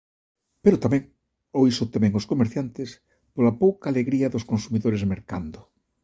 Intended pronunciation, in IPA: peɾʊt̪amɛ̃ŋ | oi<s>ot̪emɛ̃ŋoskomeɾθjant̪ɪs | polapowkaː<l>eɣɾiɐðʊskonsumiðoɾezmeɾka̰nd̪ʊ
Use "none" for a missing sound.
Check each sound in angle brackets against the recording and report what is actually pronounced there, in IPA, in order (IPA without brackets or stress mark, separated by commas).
s, l